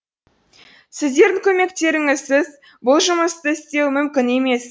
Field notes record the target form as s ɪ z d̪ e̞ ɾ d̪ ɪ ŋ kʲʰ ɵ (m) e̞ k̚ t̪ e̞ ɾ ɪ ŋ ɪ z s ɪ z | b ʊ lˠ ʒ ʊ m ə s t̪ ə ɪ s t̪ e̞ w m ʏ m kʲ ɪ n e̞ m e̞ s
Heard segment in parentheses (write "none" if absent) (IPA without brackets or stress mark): m